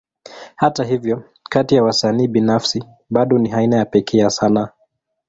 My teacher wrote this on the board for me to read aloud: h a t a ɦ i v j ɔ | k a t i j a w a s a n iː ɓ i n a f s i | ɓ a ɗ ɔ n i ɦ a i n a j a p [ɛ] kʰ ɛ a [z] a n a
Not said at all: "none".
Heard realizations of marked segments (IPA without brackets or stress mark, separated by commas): ɛ, s